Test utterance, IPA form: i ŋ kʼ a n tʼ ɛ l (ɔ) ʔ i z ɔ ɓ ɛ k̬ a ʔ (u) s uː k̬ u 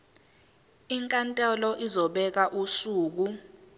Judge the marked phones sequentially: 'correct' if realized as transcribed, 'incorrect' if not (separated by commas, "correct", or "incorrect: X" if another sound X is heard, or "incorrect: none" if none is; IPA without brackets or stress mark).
correct, correct